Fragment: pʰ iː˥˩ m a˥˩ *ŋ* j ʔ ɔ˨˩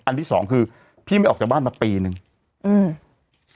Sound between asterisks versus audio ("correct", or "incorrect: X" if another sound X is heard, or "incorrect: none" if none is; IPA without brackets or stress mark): incorrect: none